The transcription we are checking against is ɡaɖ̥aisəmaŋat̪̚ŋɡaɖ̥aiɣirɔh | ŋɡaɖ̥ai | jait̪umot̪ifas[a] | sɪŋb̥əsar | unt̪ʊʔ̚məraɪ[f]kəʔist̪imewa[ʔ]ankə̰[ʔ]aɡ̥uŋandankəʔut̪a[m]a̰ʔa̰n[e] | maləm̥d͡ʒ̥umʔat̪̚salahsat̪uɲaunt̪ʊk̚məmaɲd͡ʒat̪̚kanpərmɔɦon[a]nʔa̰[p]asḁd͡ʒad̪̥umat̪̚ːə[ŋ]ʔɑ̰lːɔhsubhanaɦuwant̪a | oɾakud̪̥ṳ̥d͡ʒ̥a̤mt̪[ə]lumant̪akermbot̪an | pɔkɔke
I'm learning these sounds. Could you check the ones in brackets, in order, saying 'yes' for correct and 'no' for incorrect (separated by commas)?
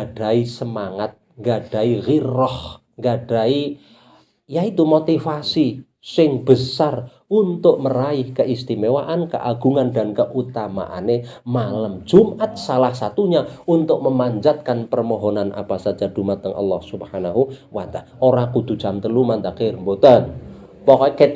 no, no, yes, yes, yes, yes, yes, yes, yes, yes